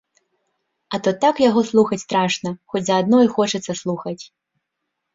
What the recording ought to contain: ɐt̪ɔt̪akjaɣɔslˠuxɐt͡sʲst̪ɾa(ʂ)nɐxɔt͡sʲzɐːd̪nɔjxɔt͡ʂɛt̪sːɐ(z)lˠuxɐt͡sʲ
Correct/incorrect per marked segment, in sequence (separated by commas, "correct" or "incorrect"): correct, incorrect